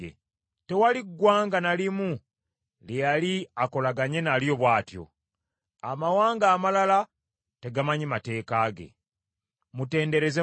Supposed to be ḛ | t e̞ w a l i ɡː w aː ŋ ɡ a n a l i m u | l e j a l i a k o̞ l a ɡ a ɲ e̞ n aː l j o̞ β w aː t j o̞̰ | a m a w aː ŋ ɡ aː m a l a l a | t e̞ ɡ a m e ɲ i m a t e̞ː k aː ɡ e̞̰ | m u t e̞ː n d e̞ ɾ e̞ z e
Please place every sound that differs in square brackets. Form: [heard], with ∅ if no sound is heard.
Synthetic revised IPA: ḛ | t e̞ w a l i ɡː w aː ŋ ɡ a n a l i m u | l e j a l i a k o̞ l a ɡ a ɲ e̞ n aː l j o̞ β w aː t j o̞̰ | a m a w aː ŋ ɡ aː m a l a l a | t e̞ ɡ a m [a] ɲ i m a t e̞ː k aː ɡ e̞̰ | m u t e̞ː n d e̞ ɾ e̞ z e